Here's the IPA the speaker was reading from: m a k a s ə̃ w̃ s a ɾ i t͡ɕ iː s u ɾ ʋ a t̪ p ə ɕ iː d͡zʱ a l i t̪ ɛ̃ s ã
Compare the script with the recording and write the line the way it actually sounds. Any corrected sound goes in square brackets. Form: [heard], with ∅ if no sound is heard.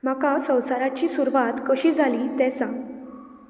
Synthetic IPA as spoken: m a k a s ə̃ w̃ s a ɾ [a] t͡ɕ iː s u ɾ ʋ a t̪ [k] ə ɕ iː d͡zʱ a l i t̪ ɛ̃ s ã